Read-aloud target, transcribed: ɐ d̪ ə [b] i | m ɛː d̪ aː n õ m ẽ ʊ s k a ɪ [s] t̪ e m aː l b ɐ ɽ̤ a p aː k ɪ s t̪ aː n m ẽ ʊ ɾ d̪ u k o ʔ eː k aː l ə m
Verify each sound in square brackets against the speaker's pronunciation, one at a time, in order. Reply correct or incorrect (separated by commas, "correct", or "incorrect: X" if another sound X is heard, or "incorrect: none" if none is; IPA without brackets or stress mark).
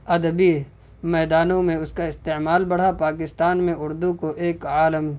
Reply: correct, correct